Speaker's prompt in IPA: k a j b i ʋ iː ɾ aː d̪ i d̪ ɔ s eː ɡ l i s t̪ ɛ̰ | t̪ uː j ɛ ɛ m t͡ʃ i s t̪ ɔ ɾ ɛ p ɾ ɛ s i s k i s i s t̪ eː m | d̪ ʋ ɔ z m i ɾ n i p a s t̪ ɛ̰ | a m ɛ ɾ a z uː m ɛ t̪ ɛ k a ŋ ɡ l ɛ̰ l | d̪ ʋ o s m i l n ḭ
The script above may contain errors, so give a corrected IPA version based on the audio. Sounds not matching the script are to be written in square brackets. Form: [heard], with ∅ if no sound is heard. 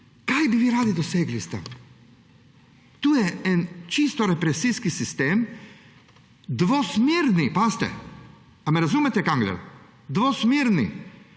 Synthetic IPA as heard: k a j b i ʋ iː ɾ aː d̪ i d̪ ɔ s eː ɡ l i s t̪ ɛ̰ | t̪ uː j ɛ ɛ [n] t͡ʃ i s t̪ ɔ ɾ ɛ p ɾ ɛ s i s k i s i s t̪ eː m | d̪ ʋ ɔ [s] m i ɾ n i p a s t̪ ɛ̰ | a m ɛ ɾ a z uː m ɛ t̪ ɛ k a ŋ ɡ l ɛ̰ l | d̪ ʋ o s m i [ɾ] n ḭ